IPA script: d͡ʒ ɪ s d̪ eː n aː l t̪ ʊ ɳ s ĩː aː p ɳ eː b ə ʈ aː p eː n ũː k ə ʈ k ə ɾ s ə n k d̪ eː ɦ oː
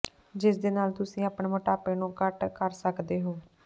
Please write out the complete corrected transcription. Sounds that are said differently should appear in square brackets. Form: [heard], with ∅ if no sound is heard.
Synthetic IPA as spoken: d͡ʒ ɪ s d̪ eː n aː l t̪ ʊ [∅] s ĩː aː p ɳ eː [m] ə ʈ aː p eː n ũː k ə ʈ k ə ɾ s ə [∅] k d̪ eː ɦ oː